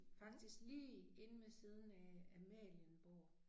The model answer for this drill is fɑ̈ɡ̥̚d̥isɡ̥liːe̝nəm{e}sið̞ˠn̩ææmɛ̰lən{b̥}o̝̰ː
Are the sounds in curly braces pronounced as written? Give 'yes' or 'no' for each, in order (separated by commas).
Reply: yes, yes